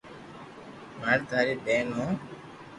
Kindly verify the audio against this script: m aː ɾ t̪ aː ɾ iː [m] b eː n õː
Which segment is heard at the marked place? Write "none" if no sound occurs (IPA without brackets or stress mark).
none